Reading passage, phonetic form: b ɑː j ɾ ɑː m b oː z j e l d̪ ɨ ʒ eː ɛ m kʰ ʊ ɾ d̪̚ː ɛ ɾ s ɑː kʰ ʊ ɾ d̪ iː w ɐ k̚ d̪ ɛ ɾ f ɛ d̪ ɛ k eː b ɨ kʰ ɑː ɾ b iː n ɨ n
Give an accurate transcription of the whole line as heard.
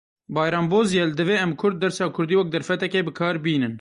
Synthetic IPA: b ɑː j ɾ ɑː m b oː z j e l d̪ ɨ v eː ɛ m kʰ ʊ ɾ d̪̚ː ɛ ɾ s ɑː kʰ ʊ ɾ d̪ iː w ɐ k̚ d̪ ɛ ɾ f ɛ t̪ ɛ k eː b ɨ kʰ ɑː ɾ b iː n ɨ n